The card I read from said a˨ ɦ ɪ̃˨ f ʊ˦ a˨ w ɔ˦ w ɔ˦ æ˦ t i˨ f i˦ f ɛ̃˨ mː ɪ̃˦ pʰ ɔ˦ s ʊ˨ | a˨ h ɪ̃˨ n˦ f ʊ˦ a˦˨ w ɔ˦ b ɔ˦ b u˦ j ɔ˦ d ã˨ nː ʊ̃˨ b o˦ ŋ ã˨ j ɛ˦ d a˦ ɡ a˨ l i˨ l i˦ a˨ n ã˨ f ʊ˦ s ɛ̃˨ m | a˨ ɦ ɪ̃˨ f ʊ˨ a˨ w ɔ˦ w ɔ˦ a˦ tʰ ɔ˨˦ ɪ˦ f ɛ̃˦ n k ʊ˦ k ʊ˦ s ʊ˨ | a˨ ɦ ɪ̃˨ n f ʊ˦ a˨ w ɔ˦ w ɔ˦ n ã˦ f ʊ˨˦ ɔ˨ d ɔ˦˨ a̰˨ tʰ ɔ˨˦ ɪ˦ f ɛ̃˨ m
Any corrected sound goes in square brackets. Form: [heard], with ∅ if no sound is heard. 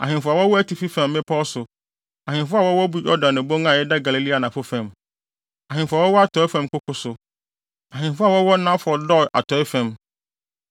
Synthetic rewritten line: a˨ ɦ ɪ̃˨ f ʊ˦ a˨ w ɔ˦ w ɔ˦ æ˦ t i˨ f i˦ f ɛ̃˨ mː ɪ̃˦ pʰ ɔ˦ s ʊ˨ | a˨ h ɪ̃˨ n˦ f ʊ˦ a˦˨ w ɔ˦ [w] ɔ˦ b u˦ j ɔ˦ d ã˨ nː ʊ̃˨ b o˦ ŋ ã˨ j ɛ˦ d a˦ ɡ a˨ l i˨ l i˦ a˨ n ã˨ f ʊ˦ [f] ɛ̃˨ m | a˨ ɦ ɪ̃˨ f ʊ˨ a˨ w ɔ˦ w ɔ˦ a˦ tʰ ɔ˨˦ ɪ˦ f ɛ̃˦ [m] k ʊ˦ k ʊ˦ s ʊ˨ | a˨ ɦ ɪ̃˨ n f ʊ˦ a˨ w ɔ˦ w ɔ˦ n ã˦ f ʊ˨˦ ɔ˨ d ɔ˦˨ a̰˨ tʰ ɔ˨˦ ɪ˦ f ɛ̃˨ m